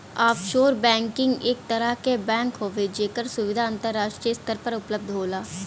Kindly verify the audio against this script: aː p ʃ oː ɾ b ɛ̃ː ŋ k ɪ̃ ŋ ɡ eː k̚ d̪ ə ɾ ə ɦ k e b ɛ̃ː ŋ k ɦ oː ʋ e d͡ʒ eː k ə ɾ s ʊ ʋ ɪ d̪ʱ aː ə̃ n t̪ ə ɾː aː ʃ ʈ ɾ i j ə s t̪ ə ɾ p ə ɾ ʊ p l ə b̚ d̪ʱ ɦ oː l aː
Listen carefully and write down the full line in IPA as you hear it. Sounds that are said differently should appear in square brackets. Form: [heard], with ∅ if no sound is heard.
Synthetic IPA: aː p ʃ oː ɾ b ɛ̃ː ŋ k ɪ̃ ŋ ɡ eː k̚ [t̪] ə ɾ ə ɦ k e b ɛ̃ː ŋ k ɦ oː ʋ e d͡ʒ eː k ə ɾ s ʊ ʋ ɪ d̪ʱ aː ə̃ n t̪ ə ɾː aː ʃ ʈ ɾ i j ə s t̪ ə ɾ p ə ɾ ʊ p l ə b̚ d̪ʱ ɦ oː l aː

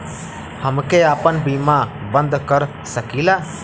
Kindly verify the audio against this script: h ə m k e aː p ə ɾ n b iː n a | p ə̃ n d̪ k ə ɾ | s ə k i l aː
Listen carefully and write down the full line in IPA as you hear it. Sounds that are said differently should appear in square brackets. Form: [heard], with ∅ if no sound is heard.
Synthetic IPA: h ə m k e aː p ə [∅] n b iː [m] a | [b] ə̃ n d̪ k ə ɾ | s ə k i l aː

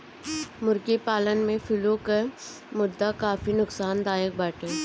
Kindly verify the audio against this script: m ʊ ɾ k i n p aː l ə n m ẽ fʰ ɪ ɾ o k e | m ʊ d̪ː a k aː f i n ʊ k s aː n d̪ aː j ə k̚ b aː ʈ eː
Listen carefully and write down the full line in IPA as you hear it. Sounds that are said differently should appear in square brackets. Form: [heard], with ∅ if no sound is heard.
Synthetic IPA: m ʊ ɾ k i [∅] p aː l ə n m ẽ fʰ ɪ [l] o k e | m ʊ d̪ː a k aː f i n ʊ k s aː n d̪ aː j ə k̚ b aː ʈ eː

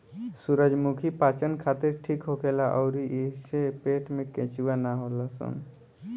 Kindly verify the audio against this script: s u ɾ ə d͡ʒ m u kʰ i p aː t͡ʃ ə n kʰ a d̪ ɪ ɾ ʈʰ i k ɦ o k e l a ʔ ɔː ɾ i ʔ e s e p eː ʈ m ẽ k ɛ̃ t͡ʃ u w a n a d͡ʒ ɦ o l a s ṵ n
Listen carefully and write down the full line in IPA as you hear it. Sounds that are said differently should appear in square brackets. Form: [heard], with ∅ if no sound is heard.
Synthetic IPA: s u ɾ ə d͡ʒ m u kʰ i p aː t͡ʃ ə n kʰ a [t̪] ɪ ɾ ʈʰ i k ɦ o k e l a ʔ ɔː ɾ i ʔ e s e p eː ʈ m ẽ k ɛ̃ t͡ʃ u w a n a [∅] ɦ o l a s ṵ n

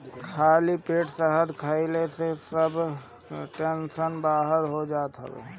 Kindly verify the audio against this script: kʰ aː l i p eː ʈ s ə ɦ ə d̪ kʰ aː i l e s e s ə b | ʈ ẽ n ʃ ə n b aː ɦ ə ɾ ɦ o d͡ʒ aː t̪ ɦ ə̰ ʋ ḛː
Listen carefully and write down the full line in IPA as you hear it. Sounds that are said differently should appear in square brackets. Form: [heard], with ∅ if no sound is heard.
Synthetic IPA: kʰ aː l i p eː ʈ s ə ɦ ə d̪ kʰ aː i l e s e s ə b | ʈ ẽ n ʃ ə n b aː ɦ ə ɾ ɦ o d͡ʒ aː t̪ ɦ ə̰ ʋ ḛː

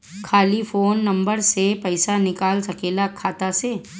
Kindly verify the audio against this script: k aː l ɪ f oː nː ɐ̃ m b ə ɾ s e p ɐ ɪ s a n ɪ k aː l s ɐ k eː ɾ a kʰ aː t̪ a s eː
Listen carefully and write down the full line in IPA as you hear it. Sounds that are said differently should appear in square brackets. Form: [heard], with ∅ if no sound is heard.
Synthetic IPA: [kʰ] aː l [i] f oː nː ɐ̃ m b ə ɾ s e p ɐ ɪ s a n ɪ k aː l s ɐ k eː [l] a kʰ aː t̪ a s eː

